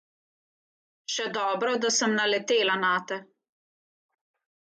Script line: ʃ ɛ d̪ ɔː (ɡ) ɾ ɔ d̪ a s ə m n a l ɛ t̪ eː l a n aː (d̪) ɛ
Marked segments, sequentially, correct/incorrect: incorrect: b, incorrect: t̪

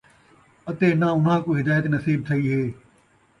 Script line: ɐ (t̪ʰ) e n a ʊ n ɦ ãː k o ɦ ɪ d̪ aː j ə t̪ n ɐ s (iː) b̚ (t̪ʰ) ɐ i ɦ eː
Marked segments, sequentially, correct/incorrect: incorrect: t̪, correct, correct

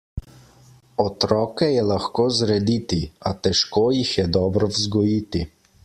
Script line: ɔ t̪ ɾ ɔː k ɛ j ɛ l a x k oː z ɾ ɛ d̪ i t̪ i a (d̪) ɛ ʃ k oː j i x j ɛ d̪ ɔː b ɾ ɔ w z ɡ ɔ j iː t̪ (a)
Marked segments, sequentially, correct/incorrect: incorrect: t̪, incorrect: i

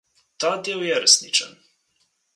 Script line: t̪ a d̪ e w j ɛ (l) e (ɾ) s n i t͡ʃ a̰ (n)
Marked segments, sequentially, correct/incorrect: incorrect: ɾ, incorrect: none, correct

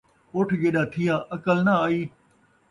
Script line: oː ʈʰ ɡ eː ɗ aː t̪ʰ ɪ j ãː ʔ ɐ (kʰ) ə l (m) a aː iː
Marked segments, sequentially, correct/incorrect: incorrect: k, incorrect: n

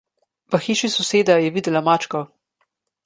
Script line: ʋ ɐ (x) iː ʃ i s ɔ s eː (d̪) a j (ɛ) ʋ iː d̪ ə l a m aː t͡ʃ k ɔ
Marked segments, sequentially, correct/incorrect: correct, correct, correct

